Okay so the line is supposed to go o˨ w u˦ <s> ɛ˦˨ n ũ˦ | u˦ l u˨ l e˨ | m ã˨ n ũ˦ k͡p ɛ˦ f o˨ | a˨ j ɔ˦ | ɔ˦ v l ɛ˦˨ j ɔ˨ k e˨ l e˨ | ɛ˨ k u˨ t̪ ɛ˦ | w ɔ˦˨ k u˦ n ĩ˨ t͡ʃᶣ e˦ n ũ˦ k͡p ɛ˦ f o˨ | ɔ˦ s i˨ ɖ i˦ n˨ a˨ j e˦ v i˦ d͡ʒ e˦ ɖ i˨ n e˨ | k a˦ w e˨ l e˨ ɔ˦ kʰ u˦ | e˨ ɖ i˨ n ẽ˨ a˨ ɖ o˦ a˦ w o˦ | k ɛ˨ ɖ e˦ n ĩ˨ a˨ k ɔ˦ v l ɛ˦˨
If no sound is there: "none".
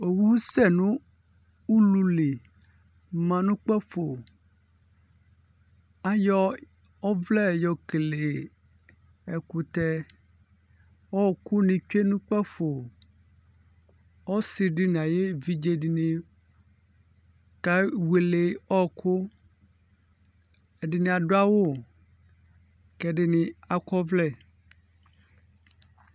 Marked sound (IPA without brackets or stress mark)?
s